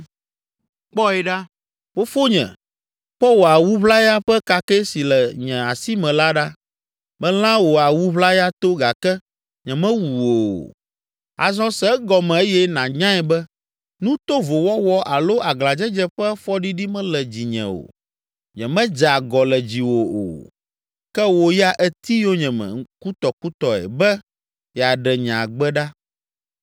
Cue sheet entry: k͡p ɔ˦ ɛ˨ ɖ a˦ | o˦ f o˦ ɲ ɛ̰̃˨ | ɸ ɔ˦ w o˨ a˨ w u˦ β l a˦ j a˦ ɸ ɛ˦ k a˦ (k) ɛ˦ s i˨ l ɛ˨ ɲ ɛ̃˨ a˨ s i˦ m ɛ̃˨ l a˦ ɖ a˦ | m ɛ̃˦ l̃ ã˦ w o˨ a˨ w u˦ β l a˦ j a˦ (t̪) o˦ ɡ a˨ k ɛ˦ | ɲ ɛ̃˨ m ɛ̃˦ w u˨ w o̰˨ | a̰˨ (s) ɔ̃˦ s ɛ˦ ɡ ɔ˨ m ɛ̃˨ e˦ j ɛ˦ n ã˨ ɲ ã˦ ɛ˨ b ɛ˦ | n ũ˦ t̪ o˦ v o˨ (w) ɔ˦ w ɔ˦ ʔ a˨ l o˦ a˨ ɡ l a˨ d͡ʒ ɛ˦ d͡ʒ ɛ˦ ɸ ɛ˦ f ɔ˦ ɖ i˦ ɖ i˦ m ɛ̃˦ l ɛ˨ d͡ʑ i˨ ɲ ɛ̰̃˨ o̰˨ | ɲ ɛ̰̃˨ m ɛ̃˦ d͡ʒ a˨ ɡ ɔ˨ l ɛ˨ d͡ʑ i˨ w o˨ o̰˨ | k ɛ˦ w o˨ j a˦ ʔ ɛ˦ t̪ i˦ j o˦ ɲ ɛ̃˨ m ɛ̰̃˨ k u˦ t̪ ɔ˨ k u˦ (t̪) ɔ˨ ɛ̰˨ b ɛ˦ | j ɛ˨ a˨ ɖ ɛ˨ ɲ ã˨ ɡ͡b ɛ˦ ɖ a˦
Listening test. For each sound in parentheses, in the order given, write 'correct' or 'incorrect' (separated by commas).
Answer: correct, correct, incorrect, correct, correct